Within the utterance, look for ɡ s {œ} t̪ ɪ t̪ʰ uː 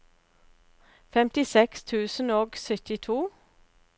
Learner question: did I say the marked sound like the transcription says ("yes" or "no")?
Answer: yes